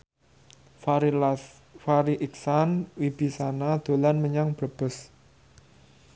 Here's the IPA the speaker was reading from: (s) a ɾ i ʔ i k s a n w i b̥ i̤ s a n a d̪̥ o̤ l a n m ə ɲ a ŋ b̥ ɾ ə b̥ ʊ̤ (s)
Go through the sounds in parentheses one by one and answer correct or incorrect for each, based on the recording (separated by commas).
incorrect, correct